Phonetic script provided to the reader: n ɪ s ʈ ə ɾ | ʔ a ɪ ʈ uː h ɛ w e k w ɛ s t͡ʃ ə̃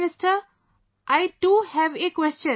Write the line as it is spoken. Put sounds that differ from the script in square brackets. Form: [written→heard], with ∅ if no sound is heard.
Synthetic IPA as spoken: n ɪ s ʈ ə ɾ | ʔ a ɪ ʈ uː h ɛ [w→ʋ] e k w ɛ s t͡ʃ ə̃

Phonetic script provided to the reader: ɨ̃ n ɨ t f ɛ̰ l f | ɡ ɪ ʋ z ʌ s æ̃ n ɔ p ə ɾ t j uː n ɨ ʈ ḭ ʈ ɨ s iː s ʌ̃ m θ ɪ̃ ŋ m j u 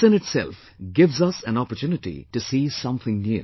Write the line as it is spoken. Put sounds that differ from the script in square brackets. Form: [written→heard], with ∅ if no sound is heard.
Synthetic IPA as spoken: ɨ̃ n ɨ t [f→s] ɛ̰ l f | ɡ ɪ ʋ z ʌ s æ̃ n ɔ p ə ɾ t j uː n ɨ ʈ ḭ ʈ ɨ s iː s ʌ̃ m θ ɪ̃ ŋ [m→n] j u

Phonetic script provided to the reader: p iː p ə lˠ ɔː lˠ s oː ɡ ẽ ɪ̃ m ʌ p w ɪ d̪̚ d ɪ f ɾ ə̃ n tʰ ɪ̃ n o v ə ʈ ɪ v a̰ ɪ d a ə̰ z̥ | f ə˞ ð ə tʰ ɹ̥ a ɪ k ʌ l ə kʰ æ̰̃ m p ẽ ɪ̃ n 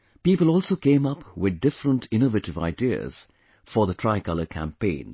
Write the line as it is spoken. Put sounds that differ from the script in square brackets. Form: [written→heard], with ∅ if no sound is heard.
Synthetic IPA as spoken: p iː p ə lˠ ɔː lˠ s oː [ɡ→k] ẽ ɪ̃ m ʌ p w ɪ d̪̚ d ɪ f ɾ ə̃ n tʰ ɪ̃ n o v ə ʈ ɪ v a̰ ɪ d [a→i] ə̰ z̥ | f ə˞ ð ə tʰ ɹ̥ a ɪ k ʌ l ə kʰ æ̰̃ m p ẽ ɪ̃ n

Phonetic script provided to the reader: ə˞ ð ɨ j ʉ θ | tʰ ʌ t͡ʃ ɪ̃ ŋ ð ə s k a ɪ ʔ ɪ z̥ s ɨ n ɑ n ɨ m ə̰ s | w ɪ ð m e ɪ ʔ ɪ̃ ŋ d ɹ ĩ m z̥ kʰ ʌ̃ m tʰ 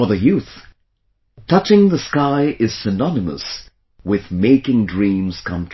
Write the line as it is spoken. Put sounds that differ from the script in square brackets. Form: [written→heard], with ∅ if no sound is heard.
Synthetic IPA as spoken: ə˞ ð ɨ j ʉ θ | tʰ ʌ t͡ʃ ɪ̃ ŋ ð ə s k a ɪ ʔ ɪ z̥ s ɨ n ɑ n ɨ m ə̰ s | w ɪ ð m e ɪ [ʔ→k] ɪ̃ ŋ d ɹ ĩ m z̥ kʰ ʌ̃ m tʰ

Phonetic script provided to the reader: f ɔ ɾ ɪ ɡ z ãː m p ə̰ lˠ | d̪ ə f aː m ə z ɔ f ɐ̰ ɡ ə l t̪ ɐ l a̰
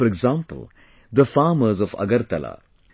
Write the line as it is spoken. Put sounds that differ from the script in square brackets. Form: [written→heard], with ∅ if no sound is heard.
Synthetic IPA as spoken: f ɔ ɾ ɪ ɡ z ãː m p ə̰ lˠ | d̪ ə f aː m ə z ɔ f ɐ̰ ɡ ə [l→ɾ] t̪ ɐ l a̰

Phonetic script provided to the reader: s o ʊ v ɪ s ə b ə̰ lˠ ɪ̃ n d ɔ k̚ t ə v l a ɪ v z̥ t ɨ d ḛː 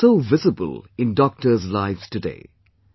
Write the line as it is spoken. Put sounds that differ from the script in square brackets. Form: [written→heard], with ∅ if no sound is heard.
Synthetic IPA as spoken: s o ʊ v ɪ [s→z] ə b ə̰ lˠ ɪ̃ n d ɔ k̚ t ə [v→z] l a ɪ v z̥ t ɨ d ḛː

